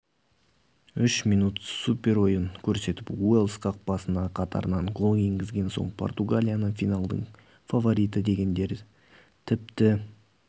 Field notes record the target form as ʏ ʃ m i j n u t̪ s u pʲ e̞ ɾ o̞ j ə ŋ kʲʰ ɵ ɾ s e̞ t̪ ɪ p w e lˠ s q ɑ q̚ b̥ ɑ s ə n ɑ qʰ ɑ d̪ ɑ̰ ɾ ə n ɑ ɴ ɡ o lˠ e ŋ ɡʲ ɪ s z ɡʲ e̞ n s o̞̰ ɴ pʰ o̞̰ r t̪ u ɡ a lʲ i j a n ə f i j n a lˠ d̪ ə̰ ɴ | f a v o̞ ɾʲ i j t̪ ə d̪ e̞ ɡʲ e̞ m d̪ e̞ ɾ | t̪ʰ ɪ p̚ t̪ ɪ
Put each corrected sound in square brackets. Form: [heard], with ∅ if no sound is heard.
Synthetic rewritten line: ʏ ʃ m i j n u t̪ s u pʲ e̞ ɾ o̞ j ə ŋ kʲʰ ɵ ɾ s e̞ t̪ ɪ p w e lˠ s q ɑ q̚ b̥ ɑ s ə n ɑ qʰ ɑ [t̪] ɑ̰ ɾ ə n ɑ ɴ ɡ o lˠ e ŋ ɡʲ ɪ [∅] z ɡʲ e̞ n s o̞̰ ɴ pʰ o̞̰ r t̪ u ɡ a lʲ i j a n ə f i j n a lˠ d̪ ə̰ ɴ | f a v o̞ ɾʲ i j t̪ ə d̪ e̞ ɡʲ e̞ [n] d̪ e̞ ɾ | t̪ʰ ɪ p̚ t̪ ɪ